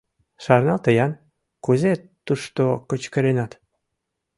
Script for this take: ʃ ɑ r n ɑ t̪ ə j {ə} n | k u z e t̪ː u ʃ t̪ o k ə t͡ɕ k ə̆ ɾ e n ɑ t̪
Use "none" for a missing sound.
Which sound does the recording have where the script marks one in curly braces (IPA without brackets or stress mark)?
ɑ